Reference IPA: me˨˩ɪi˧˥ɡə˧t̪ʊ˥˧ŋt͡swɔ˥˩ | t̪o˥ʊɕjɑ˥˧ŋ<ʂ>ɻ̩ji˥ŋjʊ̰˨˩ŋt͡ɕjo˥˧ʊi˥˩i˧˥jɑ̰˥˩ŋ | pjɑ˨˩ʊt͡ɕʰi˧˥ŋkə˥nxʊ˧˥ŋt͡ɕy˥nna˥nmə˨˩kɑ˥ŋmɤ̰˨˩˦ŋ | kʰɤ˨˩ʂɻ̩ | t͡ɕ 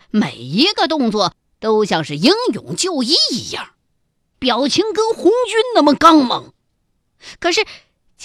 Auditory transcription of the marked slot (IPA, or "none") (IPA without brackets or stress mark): ʂ